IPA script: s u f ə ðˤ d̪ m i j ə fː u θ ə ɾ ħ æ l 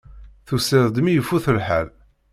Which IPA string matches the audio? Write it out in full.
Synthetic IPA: θ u s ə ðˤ d̪ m i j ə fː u θ ə l ħ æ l

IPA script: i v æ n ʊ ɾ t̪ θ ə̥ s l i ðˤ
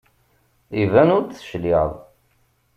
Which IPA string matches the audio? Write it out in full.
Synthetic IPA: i v æ n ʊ ɾ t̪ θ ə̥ ʃ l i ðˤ

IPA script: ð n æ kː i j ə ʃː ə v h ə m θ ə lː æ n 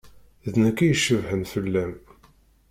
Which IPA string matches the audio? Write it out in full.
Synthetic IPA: ð n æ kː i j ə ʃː ə v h ə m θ ə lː æ m

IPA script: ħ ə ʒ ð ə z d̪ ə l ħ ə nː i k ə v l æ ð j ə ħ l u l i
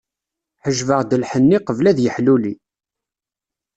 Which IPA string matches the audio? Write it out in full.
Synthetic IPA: ħ ə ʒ v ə ʁ d̪ ə l ħ ə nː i q ə v l æ ð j ə ħ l u l i

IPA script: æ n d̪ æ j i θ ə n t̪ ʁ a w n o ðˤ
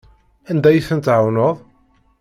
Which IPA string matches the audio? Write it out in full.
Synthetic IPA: æ n d̪ æ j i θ ə n t̪ ʕ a w n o ðˤ

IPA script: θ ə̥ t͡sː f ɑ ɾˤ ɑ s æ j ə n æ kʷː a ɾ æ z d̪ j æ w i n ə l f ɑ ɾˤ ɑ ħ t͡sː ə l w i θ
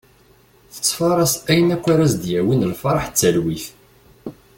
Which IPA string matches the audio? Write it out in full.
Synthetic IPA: θ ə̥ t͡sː f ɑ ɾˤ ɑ s æ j ə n æ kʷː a ɾ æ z d̪ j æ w i n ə l f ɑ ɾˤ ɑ ħ t͡sː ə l w i θ

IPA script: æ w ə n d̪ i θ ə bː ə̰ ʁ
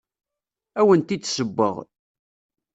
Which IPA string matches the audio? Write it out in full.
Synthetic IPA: æ w ə n t̪ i s ə bː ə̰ ʁ

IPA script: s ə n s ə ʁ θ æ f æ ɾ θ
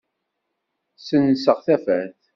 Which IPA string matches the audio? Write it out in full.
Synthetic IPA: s ə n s ə ʁ θ æ f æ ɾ θ

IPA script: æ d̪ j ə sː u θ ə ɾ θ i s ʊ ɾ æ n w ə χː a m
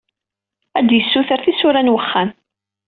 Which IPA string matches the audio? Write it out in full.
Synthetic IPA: æ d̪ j ə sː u θ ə ɾ θ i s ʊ ɾ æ n w ə χː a n

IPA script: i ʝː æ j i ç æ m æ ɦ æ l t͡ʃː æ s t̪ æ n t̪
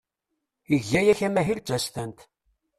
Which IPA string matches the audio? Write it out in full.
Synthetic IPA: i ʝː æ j æ ç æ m æ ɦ i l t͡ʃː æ s t̪ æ n t̪

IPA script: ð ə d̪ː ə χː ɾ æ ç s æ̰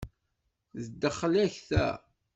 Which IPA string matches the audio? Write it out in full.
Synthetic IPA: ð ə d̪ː ə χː l æ ç θ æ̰

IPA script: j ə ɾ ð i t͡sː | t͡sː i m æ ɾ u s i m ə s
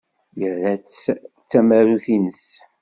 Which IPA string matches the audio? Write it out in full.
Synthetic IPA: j ə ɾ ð æ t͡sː | t͡sː æ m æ ɾ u θ i n ə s

